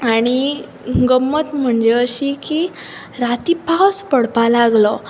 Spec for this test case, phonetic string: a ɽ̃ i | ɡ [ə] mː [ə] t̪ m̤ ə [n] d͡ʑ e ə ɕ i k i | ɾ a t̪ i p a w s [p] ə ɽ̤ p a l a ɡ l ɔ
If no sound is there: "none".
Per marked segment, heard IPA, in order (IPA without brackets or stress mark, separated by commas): ə, ə, ɳ, p